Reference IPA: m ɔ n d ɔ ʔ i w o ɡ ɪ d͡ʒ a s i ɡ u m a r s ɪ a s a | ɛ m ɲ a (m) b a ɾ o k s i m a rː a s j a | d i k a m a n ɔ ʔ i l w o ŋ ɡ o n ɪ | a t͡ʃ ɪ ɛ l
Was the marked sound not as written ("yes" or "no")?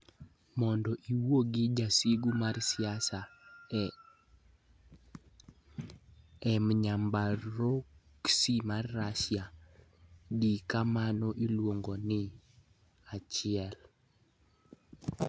no